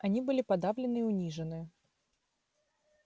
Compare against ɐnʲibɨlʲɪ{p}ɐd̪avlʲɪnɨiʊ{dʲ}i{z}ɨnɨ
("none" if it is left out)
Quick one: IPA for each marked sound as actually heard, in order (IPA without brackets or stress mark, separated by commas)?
p, nʲ, ʐ